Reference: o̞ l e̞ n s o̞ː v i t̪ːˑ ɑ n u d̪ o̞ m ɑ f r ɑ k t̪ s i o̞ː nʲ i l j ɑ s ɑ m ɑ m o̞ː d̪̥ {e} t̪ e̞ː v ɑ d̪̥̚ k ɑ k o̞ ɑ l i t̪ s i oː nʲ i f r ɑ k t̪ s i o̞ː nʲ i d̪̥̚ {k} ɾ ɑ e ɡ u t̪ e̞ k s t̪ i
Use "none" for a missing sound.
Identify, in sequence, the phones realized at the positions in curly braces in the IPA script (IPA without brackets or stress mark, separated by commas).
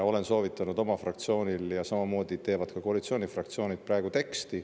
i, p